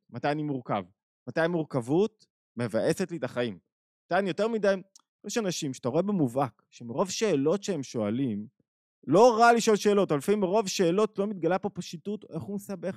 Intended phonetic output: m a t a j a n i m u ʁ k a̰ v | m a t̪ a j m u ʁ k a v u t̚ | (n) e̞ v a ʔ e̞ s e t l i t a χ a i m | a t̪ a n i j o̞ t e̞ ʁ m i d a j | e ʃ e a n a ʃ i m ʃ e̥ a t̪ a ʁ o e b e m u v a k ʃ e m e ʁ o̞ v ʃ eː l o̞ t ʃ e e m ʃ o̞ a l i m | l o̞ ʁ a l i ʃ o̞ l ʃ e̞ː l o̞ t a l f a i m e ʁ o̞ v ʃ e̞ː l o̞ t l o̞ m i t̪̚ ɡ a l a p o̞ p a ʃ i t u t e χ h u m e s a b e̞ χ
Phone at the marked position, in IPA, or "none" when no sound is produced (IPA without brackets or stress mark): m